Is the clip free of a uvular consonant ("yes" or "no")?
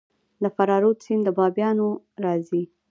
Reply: yes